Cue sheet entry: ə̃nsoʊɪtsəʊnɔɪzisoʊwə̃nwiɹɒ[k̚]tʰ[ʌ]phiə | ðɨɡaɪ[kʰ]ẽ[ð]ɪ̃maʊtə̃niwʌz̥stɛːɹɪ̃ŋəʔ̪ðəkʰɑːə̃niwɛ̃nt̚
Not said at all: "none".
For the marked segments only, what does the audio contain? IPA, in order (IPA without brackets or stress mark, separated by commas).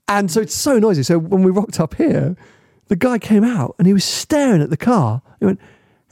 k̚, ʌ, kʰ, none